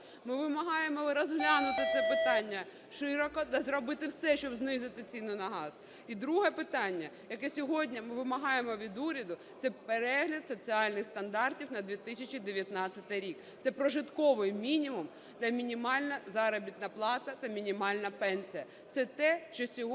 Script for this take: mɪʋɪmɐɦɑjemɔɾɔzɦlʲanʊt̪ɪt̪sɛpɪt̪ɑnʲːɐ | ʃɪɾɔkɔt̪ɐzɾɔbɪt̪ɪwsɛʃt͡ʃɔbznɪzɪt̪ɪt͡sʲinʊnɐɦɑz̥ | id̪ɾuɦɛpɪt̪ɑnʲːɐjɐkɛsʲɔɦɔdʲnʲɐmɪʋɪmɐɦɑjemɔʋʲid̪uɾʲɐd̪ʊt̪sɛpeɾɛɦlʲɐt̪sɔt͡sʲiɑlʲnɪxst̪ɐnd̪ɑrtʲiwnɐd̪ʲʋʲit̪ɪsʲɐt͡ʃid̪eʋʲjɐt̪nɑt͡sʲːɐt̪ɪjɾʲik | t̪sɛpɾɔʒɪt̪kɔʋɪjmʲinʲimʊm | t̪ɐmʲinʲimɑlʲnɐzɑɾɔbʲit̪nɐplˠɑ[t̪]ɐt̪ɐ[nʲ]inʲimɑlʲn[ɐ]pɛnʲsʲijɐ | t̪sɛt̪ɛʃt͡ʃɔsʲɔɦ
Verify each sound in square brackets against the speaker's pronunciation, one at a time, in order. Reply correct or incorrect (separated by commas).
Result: correct, incorrect, correct